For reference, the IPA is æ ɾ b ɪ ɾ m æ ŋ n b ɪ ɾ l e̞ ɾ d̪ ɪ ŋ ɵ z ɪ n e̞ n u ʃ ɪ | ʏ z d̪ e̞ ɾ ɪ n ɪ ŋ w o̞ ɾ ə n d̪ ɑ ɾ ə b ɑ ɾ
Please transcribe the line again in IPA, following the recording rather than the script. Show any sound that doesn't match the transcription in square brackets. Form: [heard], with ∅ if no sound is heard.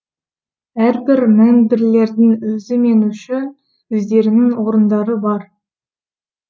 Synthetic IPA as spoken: æ ɾ b ɪ ɾ m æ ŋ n b ɪ ɾ l e̞ ɾ d̪ ɪ ŋ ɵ z ɪ [m] e̞ n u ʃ ɪ | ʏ z d̪ e̞ ɾ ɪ n ɪ ŋ w o̞ ɾ ə n d̪ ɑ ɾ ə b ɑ ɾ

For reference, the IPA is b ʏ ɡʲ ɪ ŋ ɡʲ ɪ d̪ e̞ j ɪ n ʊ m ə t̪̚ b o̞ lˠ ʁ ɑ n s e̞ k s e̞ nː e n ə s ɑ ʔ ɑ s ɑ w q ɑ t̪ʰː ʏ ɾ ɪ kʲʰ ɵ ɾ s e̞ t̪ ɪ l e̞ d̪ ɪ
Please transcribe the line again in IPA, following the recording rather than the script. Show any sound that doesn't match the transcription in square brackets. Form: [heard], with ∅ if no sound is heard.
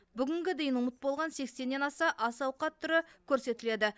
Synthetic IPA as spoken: b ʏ ɡʲ ɪ ŋ ɡʲ ɪ d̪ e̞ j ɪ n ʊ m ə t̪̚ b o̞ lˠ ʁ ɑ n s e̞ k s e̞ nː e n [ɑ] s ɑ ʔ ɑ s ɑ w q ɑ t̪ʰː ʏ ɾ ɪ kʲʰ ɵ ɾ s e̞ t̪ ɪ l e̞ d̪ ɪ

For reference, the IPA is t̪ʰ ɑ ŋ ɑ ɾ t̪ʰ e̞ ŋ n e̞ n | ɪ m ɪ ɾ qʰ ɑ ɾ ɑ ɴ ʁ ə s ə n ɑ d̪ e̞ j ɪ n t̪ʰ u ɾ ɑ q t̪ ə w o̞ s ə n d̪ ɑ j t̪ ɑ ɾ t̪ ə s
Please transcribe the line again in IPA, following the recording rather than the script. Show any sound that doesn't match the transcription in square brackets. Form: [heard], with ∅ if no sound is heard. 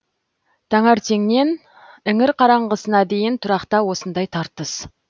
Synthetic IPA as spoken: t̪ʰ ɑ ŋ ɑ ɾ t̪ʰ e̞ ŋ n e̞ n | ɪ [ŋ] ɪ ɾ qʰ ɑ ɾ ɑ ɴ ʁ ə s ə n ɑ d̪ e̞ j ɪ n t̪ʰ [ʊ] ɾ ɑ q t̪ [ɑ] w o̞ s ə n d̪ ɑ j [t̪ʰ] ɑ ɾ t̪ ə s

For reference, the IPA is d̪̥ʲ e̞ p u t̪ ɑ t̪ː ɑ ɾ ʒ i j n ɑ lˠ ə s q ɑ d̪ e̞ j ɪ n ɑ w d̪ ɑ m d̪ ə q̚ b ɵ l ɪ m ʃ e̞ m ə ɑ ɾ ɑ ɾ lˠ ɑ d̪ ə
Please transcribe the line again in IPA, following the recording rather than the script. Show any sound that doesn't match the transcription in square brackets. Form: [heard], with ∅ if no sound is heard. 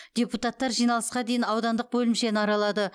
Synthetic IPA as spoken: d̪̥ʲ e̞ p u t̪ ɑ t̪ː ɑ ɾ ʒ i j n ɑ lˠ ə s q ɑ d̪ e̞ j ɪ n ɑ w d̪ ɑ [n] d̪ ə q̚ b ɵ l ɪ m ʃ e̞ [n] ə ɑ ɾ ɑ [∅] lˠ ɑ d̪ ə

